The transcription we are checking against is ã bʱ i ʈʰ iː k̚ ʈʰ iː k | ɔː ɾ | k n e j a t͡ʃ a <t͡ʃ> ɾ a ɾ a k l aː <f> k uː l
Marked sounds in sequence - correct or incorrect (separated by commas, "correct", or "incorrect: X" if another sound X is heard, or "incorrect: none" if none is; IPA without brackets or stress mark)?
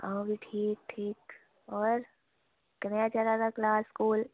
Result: incorrect: none, incorrect: s